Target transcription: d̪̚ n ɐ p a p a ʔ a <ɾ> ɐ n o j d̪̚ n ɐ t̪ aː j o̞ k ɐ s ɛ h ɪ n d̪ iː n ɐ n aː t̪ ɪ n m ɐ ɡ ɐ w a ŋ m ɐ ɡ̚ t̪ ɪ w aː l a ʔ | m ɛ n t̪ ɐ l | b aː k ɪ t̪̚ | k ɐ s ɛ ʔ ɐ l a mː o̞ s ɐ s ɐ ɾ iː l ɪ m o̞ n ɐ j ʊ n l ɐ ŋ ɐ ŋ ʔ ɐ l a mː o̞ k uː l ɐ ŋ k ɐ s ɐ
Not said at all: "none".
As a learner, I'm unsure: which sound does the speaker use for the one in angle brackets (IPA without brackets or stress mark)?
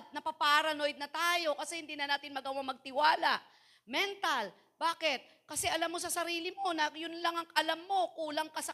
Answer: ɾ